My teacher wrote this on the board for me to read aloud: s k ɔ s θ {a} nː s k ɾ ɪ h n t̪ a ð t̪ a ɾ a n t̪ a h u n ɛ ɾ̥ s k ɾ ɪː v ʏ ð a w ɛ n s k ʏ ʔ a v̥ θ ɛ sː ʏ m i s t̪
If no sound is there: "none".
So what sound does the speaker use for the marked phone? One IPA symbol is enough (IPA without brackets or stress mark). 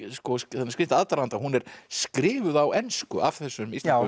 ɛ